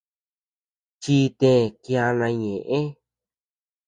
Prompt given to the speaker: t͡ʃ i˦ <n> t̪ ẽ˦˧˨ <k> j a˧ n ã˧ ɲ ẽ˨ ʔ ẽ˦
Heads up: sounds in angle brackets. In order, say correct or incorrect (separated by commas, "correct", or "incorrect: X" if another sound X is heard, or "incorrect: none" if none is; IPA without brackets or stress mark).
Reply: incorrect: none, correct